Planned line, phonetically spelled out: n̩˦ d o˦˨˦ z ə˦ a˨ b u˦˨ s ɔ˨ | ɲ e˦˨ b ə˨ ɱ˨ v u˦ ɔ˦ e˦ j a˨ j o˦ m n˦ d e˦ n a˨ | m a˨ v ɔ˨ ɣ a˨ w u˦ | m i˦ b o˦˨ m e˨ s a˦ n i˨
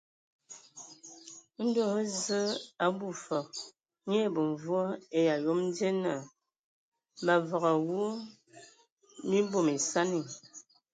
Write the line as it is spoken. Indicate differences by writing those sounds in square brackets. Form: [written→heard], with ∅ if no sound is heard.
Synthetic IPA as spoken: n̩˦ d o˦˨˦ z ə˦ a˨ b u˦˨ [s→f] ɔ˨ | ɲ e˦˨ b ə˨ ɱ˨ v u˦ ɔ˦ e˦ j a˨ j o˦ m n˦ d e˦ n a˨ | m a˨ v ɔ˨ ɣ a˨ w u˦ | m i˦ b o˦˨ m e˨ s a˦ n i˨